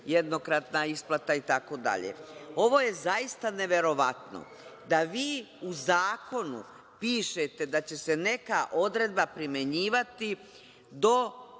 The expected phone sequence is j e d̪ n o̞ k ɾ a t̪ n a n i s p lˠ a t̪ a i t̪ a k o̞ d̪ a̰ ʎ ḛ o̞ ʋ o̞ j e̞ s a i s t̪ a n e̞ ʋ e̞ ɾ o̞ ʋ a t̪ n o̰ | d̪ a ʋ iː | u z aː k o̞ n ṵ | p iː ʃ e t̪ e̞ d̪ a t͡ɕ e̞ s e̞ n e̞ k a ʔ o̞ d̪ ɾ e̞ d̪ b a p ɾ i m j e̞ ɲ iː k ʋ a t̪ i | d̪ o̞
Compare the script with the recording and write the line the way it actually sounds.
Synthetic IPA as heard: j e d̪ n o̞ k ɾ a t̪ n a i s p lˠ a t̪ a i t̪ a k o̞ d̪ a̰ ʎ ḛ o̞ ʋ o̞ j e̞ z a i s t̪ a n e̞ ʋ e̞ ɾ o̞ ʋ a t̪ n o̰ | d̪ a ʋ iː | u z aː k o̞ n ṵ | p iː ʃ e t̪ e̞ d̪ a t͡ɕ e̞ s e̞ n e̞ k a ʔ o̞ d̪ ɾ e̞ d̪ b a p ɾ i m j e̞ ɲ iː ʋ a t̪ i | d̪ o̞

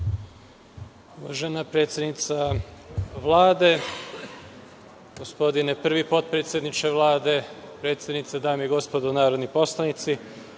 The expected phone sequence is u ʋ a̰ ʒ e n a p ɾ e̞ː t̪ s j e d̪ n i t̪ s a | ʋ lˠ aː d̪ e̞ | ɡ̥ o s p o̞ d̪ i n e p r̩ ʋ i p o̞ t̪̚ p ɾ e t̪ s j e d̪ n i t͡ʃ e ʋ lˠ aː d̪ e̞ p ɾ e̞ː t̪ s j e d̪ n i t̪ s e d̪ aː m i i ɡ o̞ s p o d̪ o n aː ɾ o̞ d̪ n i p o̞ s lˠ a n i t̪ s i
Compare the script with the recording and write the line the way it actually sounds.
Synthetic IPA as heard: u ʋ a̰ ʒ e n a p ɾ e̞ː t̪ s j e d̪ n i t̪ s a | ʋ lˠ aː d̪ e̞ | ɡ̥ o s p o̞ d̪ i n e p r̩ ʋ i p o̞ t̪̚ p ɾ e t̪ s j e d̪ n i t͡ʃ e ʋ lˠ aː d̪ e̞ p ɾ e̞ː t̪ s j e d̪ n i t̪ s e d̪ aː m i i ɡ o̞ s p o d̪ o n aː ɾ o̞ d̪ n i p o̞ s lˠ a n i t̪ s i

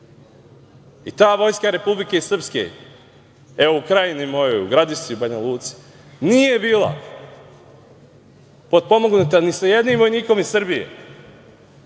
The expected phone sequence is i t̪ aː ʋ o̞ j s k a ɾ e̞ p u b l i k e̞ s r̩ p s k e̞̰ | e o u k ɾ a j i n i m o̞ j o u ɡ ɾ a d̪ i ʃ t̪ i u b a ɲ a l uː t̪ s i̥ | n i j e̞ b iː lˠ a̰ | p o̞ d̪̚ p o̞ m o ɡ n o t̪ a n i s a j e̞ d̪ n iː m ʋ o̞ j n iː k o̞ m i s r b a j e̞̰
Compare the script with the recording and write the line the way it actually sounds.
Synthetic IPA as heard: i t̪ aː ʋ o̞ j s k a ɾ e̞ p u b l i k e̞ s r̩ p s k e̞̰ | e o u k ɾ a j i n i m o̞ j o u ɡ ɾ a d̪ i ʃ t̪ i u b a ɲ a l uː t̪ s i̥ | n i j e̞ b iː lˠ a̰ | p o̞ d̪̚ p o̞ m o ɡ n u t̪ a n i s a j e̞ d̪ n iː m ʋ o̞ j n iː k o̞ m i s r b i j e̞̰

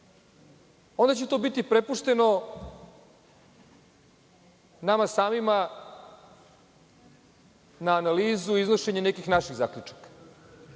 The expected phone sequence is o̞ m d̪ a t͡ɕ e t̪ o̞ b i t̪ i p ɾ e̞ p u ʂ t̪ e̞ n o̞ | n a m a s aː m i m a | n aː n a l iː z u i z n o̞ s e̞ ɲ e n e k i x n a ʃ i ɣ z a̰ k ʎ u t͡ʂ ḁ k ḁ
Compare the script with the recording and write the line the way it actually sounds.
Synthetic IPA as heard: o̞ n d̪ a t͡ɕ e t̪ o̞ b i t̪ i p ɾ e̞ p u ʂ t̪ e̞ n o̞ | n a m a s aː m i m a | n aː n a l iː z u i z n o̞ ʃ e̞ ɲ e n e k i x n a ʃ i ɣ z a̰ k ʎ u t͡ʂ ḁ k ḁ

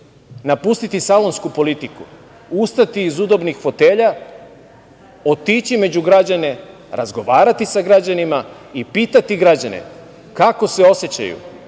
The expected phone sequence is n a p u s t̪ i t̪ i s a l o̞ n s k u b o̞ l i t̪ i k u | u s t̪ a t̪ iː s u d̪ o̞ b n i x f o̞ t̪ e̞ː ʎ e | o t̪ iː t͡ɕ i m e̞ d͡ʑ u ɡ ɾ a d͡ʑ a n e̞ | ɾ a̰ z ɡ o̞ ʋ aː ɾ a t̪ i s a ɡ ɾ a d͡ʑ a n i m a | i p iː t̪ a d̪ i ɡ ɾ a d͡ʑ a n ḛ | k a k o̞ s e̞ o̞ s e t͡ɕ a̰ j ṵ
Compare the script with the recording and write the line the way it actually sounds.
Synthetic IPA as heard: n a p u s t̪ i t̪ i s a l o̞ n s k u p o̞ l i t̪ i k u | u s t̪ a t̪ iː z u d̪ o̞ b n i x f o̞ t̪ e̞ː ʎ a | o t̪ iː t͡ɕ i m e̞ d͡ʑ u ɡ ɾ a d͡ʑ a n e̞ | ɾ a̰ z ɡ o̞ ʋ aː ɾ a t̪ i s a ɡ ɾ a d͡ʑ a n i m a | i p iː t̪ a t̪ i ɡ ɾ a d͡ʑ a n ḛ | k a k o̞ s e̞ o̞ s e t͡ɕ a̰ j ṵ

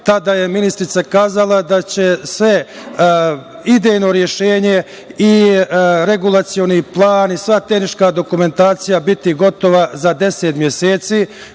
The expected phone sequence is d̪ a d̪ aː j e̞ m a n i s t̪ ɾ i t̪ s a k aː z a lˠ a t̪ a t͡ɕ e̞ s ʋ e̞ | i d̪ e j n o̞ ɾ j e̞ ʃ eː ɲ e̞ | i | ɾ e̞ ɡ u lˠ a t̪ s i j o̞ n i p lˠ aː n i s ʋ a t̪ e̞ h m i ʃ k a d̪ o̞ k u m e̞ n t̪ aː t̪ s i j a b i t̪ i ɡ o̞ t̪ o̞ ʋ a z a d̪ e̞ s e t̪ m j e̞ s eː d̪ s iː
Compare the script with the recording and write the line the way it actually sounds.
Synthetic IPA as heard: t̪ a d̪ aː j e̞ m i n i s t̪ ɾ i t̪ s a k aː z a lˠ a d̪ a t͡ɕ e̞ s ʋ e̞ | i d̪ e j n o̞ ɾ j e̞ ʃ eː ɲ e̞ | i | ɾ e̞ ɡ u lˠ a t̪ s i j o̞ n i p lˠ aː n i s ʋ a t̪ e̞ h n i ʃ k a d̪ o̞ k u m e̞ n t̪ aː t̪ s i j a b i t̪ i ɡ o̞ t̪ o̞ ʋ a z a d̪ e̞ s e t̪ m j e̞ s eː t̪ s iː

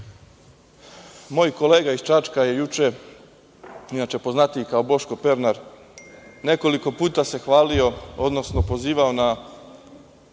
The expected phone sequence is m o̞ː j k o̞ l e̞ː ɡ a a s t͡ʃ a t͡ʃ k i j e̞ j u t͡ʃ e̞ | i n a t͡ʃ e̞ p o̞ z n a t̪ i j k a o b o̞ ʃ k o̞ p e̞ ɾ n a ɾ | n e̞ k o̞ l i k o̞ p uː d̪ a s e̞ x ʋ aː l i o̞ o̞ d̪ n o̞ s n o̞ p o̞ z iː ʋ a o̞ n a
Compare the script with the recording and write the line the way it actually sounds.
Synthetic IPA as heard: m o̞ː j k o̞ l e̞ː ɡ a i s t͡ʃ a t͡ʃ k a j e̞ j u t͡ʃ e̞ | i n a t͡ʃ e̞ p o̞ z n a t̪ i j k a o b o̞ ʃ k o̞ p e̞ ɾ n a ɾ | n e̞ k o̞ l i k o̞ p uː t̪ a s e̞ x ʋ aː l i o̞ o̞ d̪ n o̞ s n o̞ p o̞ z iː ʋ a o̞ n a

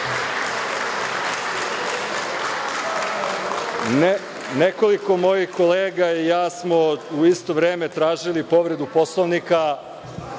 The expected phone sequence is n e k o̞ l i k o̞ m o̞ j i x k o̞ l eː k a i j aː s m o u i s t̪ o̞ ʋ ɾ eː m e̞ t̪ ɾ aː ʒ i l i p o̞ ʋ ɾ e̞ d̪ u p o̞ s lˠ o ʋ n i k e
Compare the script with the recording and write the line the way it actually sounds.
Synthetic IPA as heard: n e k o̞ l i k o̞ m o̞ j i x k o̞ l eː ɡ a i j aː s m o u i s t̪ o̞ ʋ ɾ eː m e̞ t̪ ɾ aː ʒ i l i p o̞ ʋ ɾ e̞ d̪ u p o̞ s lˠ o ʋ n i k a

